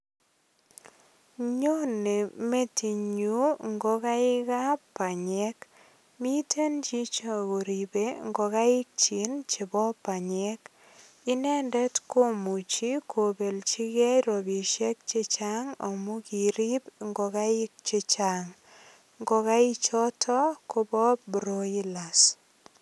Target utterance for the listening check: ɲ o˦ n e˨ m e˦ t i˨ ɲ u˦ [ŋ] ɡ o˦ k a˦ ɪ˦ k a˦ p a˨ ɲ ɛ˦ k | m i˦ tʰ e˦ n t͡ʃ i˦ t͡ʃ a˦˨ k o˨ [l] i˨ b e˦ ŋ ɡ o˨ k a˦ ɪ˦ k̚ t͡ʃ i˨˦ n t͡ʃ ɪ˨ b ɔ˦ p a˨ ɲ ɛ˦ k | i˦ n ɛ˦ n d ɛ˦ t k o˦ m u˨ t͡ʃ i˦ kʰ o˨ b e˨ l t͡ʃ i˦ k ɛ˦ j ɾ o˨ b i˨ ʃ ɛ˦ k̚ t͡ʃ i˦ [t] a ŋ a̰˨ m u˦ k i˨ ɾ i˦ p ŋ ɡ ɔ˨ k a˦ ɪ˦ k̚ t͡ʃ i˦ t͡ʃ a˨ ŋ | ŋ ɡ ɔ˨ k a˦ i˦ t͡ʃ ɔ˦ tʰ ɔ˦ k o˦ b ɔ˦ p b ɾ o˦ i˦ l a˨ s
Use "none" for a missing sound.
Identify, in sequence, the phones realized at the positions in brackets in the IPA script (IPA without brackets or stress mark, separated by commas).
ŋ, ɾ, t͡ʃ